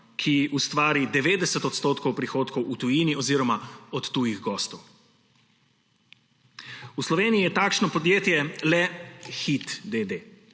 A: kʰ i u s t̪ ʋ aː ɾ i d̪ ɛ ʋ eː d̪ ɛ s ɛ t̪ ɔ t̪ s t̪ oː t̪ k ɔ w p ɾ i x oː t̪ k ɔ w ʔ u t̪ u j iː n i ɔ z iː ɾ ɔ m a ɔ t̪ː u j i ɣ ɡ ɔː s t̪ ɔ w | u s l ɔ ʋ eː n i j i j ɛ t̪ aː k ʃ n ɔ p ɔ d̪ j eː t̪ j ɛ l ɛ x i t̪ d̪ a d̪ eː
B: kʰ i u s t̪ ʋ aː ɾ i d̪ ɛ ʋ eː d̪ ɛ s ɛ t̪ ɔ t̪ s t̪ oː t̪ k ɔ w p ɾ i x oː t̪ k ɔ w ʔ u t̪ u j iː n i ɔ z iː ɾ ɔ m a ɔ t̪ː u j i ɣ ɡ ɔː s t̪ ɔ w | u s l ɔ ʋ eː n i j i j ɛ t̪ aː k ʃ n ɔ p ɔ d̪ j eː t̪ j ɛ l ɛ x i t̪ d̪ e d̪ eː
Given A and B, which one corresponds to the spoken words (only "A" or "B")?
B